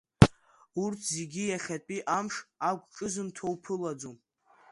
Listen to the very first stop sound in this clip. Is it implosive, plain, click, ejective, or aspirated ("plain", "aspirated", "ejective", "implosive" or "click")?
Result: aspirated